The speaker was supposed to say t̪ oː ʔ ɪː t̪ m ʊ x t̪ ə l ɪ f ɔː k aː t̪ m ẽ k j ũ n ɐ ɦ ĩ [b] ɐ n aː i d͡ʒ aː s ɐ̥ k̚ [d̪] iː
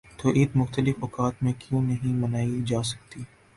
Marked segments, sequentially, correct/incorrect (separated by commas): incorrect, incorrect